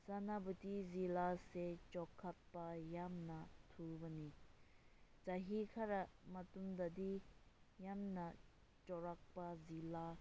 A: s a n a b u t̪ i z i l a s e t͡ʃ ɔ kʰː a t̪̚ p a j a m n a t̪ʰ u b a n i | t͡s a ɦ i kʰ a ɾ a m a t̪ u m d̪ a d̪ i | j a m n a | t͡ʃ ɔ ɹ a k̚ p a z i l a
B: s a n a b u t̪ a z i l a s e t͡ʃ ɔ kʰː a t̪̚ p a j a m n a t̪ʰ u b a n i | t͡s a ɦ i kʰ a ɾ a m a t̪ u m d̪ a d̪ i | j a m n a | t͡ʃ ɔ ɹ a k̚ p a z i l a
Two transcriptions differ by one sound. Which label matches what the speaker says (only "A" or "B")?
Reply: A